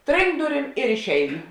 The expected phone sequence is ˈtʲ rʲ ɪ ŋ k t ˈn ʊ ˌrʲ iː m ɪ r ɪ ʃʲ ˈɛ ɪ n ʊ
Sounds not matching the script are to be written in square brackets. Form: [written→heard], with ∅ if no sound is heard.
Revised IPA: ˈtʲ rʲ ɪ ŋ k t [ˈn→ˈd] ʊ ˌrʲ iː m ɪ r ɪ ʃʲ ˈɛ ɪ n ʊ